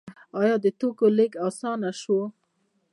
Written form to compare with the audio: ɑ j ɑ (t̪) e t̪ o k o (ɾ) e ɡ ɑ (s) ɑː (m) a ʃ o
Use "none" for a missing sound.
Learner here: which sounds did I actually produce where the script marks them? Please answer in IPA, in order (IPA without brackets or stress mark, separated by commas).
d̪, l, s, n